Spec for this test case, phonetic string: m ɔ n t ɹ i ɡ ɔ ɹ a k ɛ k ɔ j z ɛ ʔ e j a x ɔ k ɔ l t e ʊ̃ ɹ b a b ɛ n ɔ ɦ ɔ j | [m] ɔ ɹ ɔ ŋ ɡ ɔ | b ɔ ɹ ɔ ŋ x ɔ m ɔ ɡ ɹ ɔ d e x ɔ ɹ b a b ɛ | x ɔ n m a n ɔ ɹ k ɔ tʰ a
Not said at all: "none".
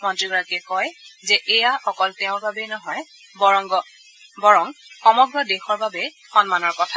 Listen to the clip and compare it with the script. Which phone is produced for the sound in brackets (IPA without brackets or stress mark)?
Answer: b